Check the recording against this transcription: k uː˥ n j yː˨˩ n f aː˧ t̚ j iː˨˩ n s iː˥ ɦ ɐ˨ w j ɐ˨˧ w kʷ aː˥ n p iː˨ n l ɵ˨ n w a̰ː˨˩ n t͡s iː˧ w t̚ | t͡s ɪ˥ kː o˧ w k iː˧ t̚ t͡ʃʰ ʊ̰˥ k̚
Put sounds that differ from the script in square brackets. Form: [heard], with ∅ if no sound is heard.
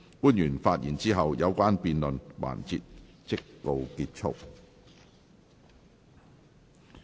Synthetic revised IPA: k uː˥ n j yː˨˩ n f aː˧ t̚ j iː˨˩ n [t͡s] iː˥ ɦ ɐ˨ w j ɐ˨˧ w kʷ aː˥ n p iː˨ n l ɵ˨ n w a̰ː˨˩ n t͡s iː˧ [∅] t̚ | t͡s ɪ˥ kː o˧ w k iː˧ t̚ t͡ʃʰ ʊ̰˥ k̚